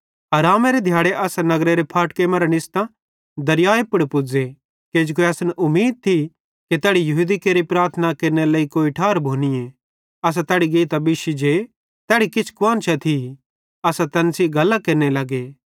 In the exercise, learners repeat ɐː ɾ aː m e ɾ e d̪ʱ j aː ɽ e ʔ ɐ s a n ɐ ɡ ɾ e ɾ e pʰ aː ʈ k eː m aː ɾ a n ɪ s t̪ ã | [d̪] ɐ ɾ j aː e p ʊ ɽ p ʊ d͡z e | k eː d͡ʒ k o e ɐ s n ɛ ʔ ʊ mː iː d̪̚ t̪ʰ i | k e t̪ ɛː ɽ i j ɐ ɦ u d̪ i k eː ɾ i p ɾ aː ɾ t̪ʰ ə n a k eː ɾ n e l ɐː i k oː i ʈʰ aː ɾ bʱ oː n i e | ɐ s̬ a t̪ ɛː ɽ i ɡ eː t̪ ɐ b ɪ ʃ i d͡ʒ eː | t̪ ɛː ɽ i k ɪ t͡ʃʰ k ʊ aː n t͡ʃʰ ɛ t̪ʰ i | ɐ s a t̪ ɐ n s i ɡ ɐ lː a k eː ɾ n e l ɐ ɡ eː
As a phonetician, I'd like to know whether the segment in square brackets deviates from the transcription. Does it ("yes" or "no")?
no